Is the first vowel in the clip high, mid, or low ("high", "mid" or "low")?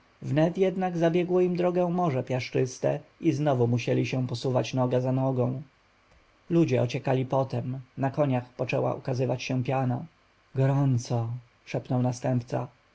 mid